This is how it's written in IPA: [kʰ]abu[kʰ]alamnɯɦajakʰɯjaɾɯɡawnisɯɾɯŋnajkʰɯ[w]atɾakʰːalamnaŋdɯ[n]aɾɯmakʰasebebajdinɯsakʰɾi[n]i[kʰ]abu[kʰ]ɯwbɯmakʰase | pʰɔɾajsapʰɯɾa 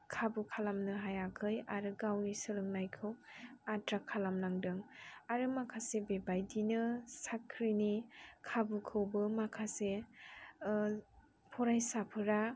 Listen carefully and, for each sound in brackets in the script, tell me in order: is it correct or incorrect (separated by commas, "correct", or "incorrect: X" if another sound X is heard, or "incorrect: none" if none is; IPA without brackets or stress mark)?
correct, correct, correct, incorrect: ŋ, correct, correct, correct